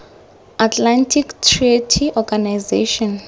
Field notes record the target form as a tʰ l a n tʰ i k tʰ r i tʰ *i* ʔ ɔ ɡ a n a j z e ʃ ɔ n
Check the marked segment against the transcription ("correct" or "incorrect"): correct